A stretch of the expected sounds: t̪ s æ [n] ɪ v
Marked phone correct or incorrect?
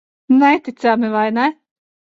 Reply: incorrect: m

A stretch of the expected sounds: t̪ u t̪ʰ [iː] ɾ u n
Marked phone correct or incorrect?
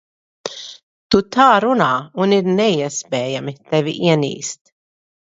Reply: incorrect: aː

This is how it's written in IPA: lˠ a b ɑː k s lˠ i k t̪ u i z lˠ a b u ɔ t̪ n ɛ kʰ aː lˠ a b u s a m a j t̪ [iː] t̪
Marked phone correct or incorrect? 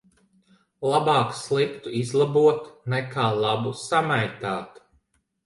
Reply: incorrect: aː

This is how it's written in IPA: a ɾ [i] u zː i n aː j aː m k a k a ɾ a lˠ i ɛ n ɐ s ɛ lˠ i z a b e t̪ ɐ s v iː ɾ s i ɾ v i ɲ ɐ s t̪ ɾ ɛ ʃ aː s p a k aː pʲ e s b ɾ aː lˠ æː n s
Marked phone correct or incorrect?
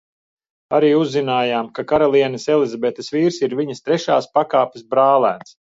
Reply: incorrect: iː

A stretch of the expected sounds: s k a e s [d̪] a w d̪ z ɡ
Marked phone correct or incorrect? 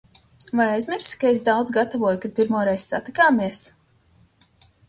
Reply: correct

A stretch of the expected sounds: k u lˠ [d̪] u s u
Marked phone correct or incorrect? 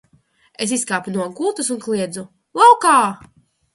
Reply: incorrect: t̪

